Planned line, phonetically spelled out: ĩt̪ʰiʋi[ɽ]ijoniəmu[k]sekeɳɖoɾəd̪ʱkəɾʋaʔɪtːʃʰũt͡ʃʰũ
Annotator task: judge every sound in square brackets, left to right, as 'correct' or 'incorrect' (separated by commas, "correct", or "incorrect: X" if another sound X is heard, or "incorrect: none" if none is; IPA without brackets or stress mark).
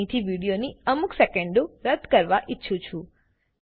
correct, correct